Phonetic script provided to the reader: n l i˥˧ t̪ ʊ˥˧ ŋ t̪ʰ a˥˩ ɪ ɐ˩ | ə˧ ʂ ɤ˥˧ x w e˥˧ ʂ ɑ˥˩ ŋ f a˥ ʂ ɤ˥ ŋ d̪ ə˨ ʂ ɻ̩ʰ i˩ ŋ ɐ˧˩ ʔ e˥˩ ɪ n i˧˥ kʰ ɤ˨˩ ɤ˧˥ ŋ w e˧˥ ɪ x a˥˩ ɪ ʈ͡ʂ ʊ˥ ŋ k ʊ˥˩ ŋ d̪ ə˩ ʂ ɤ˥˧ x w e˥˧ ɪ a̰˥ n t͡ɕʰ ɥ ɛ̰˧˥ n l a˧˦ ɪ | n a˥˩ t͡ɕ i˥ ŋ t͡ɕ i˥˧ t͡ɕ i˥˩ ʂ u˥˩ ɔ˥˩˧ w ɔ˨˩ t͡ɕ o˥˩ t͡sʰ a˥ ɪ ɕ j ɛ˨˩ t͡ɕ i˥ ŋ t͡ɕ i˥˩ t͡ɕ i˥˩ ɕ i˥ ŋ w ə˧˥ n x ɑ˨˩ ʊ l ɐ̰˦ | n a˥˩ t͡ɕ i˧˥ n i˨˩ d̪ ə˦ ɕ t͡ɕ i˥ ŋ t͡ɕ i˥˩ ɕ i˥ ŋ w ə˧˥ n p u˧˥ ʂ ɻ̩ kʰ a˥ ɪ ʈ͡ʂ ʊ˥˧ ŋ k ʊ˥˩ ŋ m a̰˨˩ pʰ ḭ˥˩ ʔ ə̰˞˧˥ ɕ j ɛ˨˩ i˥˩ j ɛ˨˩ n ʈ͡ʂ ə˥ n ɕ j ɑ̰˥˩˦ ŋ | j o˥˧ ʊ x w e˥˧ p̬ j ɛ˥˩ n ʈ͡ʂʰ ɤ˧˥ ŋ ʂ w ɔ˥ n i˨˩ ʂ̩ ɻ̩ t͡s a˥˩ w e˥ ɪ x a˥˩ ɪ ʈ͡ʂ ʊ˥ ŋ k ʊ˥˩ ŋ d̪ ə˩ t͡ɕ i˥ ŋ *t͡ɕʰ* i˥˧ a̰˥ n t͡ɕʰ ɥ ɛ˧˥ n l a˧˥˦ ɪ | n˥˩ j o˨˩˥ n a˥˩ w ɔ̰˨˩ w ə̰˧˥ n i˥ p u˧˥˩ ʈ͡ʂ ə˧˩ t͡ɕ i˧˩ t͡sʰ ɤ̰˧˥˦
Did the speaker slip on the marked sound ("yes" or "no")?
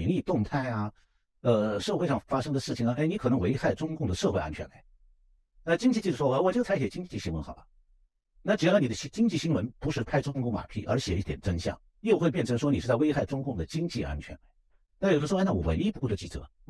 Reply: yes